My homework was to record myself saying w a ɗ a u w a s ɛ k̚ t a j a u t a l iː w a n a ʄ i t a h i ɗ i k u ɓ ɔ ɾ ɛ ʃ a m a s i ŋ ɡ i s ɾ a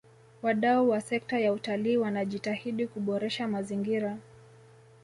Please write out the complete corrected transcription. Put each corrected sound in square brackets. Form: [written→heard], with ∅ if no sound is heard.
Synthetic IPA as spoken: w a ɗ a u w a s ɛ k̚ t a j a u t a l iː w a n a ʄ i t a h i ɗ i k u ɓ ɔ ɾ ɛ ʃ a m a [s→z] i ŋ ɡ i [s→∅] ɾ a